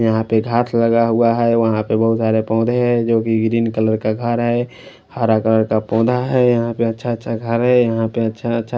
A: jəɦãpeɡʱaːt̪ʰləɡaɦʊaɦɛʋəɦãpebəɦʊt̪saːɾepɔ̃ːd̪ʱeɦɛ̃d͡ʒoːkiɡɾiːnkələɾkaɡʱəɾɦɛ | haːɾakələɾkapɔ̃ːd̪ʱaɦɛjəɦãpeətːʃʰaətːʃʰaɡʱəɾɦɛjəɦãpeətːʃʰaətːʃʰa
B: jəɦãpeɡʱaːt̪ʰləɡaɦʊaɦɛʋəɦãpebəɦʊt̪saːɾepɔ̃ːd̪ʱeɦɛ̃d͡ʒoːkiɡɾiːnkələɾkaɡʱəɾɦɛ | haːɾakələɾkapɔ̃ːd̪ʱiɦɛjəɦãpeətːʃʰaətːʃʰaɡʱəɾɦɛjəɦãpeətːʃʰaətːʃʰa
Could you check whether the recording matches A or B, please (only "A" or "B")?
A